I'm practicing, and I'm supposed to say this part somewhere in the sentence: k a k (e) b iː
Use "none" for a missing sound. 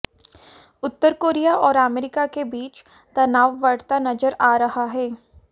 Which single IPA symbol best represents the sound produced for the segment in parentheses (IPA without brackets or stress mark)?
e